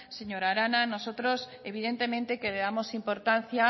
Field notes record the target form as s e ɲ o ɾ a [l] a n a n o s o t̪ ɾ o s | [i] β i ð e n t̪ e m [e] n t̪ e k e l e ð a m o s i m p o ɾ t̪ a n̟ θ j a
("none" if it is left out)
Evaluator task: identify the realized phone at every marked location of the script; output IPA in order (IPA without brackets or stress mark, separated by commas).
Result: ɾ, e, ẽ